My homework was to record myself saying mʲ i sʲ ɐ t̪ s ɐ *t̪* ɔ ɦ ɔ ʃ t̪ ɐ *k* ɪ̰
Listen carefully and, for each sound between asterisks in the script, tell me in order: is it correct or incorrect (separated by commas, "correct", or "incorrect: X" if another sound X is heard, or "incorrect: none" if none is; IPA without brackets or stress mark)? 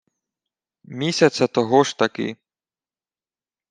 correct, correct